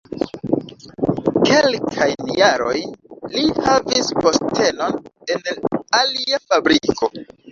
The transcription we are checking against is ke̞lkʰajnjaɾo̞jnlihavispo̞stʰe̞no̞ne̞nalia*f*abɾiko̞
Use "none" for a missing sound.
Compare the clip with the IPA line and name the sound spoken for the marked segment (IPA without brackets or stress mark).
f